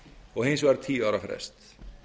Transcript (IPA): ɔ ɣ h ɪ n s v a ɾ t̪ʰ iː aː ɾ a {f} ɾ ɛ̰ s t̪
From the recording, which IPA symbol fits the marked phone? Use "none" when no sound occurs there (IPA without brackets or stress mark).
f